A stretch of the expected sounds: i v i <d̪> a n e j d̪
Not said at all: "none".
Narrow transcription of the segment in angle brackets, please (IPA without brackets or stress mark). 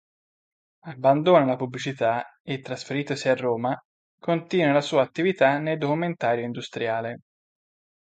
t̪